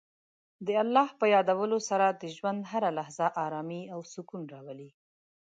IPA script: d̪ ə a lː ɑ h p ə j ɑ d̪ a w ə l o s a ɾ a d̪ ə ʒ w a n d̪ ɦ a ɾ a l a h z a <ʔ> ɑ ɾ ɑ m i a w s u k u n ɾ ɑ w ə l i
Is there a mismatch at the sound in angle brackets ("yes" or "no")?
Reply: no